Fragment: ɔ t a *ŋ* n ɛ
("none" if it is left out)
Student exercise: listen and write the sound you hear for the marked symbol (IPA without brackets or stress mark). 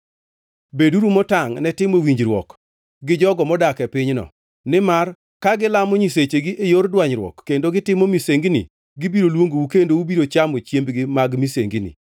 ŋ